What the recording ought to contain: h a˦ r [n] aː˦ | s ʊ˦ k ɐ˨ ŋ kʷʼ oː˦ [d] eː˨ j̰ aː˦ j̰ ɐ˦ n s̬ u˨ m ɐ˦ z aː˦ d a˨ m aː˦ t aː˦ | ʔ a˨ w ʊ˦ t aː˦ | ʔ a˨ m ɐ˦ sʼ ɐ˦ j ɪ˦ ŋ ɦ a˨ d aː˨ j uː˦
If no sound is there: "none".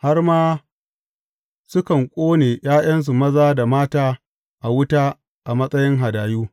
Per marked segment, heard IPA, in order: m, n

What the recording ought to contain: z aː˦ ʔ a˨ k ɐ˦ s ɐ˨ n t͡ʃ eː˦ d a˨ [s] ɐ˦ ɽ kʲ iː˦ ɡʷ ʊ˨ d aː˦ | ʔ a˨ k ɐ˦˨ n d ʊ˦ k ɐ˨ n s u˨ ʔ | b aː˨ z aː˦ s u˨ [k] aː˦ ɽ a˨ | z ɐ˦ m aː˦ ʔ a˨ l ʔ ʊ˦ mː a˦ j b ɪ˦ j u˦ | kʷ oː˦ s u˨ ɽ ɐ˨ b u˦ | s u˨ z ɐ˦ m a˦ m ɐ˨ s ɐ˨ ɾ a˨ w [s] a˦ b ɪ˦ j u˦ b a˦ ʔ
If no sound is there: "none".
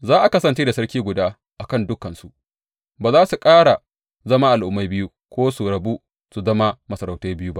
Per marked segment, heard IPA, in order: s, kʼ, t

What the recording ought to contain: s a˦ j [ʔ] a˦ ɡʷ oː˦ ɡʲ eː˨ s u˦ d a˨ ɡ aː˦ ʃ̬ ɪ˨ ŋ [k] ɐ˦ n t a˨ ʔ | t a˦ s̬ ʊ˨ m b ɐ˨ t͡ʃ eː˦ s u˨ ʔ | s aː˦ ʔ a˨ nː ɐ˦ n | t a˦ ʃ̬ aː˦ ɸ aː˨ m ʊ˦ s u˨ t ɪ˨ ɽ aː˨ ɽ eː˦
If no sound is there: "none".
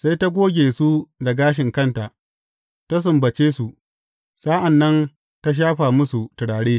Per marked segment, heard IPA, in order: t, k

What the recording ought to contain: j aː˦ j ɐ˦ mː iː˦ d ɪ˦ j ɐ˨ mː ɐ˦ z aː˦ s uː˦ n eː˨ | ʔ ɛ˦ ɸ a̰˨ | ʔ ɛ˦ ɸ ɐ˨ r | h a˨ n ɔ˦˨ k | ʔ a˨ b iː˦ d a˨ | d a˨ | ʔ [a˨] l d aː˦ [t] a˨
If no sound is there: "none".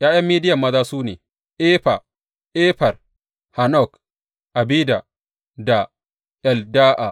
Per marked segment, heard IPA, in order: ɛ˨, ʔ

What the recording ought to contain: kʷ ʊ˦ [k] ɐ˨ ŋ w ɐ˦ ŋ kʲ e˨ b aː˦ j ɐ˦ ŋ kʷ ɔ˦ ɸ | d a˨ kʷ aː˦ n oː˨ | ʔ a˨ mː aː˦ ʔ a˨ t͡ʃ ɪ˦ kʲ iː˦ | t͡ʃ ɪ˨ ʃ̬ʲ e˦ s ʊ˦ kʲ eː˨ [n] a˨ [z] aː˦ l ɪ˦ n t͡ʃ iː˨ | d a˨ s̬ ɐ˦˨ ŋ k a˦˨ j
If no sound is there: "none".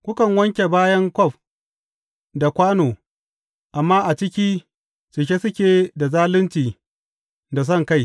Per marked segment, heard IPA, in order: k, d, z

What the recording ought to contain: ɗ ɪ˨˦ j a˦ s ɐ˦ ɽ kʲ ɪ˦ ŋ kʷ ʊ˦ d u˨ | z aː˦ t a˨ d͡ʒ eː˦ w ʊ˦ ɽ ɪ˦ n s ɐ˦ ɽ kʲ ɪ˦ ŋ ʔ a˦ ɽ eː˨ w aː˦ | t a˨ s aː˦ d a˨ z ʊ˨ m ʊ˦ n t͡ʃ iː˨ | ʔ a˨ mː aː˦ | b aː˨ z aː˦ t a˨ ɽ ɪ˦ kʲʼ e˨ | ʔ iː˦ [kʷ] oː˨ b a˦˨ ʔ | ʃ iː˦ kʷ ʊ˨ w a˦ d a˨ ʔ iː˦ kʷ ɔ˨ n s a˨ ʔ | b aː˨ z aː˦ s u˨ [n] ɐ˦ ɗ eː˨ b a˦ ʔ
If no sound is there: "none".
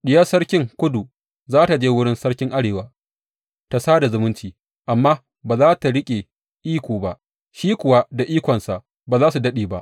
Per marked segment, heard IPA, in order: kʷ, d

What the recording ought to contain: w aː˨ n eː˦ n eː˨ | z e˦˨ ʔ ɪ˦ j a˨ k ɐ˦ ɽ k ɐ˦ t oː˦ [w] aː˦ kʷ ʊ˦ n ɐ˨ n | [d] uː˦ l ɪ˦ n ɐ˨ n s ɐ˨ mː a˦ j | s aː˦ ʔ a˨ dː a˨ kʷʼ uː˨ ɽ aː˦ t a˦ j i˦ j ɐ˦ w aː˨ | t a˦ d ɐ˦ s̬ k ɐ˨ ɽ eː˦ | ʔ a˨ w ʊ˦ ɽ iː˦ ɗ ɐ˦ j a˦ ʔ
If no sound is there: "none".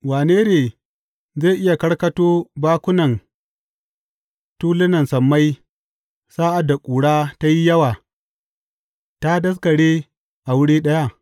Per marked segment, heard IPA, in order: b, t

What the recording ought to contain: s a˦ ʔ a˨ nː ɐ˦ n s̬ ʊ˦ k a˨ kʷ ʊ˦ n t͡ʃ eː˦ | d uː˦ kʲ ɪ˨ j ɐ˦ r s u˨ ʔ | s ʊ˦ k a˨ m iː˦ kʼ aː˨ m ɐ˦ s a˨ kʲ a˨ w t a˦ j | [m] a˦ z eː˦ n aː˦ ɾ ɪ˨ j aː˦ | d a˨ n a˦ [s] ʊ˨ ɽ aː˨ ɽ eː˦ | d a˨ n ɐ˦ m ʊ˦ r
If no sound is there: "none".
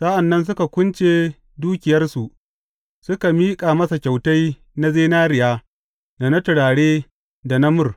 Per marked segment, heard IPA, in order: n, t

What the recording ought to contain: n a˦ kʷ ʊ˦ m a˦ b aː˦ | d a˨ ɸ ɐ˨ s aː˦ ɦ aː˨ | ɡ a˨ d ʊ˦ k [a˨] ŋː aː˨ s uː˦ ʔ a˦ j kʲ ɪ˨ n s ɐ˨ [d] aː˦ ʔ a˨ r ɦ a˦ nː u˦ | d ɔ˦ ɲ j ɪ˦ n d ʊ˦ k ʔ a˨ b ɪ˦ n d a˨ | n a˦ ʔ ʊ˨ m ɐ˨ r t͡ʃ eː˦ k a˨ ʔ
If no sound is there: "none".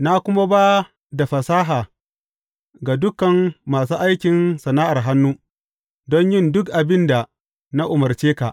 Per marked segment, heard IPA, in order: ɐ˨, n

